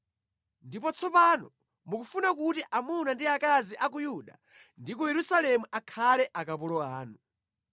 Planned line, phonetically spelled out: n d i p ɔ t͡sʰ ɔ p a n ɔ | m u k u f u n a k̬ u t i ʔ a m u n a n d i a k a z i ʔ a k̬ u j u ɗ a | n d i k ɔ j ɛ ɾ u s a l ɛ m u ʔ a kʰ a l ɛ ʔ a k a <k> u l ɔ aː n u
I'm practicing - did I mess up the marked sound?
yes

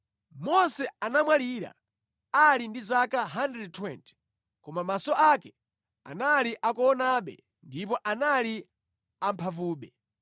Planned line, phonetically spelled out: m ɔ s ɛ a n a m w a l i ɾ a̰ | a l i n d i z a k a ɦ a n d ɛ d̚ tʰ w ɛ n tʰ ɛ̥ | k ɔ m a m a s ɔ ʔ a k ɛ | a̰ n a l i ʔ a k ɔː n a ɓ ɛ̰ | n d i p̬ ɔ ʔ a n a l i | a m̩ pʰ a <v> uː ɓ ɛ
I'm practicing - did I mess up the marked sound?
no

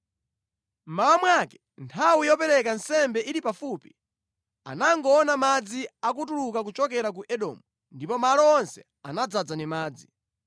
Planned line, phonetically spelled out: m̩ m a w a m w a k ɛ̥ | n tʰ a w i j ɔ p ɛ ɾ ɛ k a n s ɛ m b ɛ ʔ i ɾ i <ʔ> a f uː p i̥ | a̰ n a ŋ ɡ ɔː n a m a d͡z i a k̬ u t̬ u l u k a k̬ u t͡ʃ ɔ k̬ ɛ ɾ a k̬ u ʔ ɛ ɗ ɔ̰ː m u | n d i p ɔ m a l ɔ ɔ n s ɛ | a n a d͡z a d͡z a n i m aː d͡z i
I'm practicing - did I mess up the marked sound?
yes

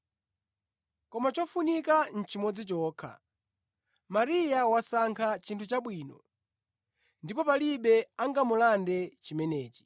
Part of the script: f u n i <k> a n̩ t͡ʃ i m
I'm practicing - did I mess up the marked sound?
no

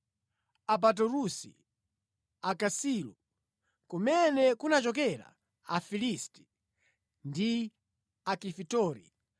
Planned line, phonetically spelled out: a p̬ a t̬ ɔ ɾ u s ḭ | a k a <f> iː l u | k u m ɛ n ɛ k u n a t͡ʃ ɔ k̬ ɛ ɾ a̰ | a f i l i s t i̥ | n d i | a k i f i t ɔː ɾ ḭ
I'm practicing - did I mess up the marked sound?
yes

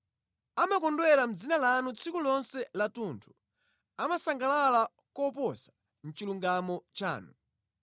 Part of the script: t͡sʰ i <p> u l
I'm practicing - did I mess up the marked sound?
yes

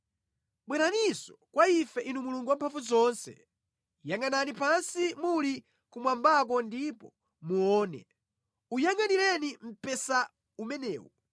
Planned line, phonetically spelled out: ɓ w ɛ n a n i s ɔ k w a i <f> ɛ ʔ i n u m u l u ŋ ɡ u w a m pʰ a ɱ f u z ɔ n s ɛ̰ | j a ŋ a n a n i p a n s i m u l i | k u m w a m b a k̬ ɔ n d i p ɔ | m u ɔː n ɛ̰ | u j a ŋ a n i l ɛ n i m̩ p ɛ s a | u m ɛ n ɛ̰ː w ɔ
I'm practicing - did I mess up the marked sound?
no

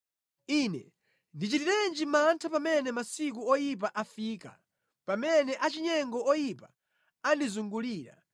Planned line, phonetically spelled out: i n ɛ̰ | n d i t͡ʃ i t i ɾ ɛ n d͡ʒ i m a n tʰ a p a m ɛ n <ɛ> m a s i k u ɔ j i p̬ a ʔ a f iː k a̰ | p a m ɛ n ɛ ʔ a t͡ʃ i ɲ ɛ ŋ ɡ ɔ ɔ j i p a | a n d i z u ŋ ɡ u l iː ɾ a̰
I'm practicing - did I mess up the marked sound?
no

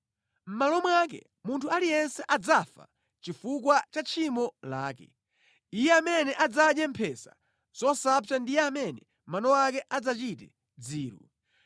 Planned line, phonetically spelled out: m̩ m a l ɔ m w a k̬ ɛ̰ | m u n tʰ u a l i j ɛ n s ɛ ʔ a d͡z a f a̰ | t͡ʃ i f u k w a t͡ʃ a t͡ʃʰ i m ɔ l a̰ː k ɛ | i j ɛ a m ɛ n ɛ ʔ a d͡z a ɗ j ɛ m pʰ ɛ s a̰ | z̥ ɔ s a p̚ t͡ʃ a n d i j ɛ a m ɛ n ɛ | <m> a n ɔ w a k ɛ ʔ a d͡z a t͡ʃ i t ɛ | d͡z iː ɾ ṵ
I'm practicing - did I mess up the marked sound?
no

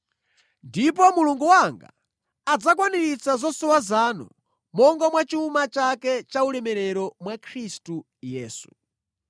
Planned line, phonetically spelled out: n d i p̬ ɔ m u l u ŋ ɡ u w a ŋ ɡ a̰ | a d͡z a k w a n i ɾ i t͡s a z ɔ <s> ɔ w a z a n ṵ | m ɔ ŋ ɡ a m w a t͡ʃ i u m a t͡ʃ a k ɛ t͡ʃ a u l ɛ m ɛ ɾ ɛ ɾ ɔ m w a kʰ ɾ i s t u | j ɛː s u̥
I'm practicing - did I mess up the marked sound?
no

